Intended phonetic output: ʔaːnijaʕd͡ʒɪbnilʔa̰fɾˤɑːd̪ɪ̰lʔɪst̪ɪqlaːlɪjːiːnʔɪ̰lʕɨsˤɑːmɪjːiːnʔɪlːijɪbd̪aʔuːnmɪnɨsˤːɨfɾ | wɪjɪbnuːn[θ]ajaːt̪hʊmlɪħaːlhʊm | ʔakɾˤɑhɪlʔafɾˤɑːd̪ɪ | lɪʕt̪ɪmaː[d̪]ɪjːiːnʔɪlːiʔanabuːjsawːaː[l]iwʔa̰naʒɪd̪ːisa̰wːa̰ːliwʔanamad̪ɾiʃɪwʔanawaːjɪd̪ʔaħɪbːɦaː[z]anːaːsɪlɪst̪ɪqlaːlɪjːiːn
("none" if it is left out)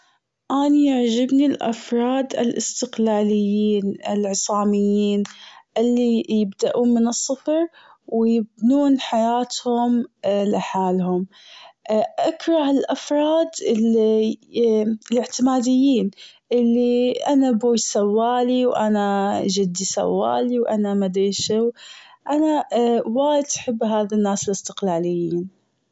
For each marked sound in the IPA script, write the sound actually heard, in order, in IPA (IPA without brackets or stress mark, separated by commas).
ħ, d̪, l, ð